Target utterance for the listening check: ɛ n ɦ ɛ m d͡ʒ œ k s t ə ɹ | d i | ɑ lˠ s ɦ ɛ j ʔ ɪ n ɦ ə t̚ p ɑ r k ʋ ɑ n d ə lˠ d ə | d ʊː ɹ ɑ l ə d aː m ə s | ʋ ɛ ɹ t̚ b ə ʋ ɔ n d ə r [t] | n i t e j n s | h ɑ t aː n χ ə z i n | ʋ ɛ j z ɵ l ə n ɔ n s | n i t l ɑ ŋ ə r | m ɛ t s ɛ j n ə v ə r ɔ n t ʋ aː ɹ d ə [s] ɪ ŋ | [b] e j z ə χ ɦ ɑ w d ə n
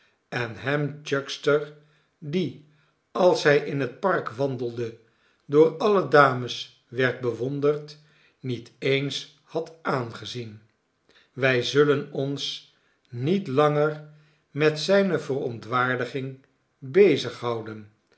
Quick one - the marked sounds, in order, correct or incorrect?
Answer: correct, incorrect: χ, correct

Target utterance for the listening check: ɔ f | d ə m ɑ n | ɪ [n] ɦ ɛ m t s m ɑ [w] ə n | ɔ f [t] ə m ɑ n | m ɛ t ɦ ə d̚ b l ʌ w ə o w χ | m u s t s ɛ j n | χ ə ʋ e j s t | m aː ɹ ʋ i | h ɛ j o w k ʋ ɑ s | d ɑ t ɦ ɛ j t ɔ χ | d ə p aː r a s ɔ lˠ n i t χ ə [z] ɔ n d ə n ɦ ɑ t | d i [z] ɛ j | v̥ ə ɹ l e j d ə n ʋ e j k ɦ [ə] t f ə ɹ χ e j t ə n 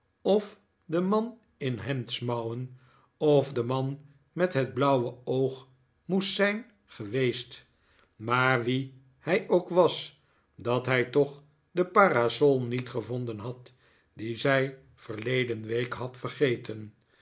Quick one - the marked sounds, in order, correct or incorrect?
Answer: correct, correct, incorrect: d, incorrect: v, correct, incorrect: ɑ

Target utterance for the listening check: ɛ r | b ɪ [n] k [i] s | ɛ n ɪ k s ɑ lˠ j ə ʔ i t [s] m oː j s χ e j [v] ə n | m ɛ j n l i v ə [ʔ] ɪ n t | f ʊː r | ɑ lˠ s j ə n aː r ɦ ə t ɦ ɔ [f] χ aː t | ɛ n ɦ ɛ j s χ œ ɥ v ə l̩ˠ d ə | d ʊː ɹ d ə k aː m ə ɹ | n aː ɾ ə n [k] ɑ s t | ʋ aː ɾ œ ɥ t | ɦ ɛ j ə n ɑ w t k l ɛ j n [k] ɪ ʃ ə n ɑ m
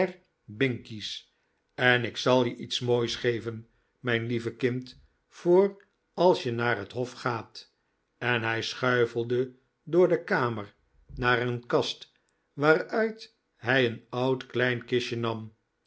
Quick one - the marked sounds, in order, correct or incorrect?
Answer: incorrect: ŋ, correct, correct, correct, incorrect: k, correct, correct, correct

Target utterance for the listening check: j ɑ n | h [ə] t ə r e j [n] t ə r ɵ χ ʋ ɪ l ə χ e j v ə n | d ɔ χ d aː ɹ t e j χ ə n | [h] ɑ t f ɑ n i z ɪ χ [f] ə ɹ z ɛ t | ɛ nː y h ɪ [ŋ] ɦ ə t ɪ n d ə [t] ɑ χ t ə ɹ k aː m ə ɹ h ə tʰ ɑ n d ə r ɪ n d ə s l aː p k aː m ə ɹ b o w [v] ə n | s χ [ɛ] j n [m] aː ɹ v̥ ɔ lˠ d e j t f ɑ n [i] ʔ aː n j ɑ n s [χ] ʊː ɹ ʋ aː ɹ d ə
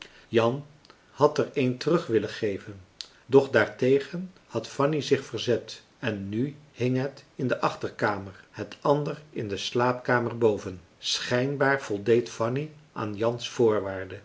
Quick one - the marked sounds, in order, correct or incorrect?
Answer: incorrect: ɑ, correct, correct, correct, correct, incorrect: ʔ, correct, correct, incorrect: b, correct, incorrect: f

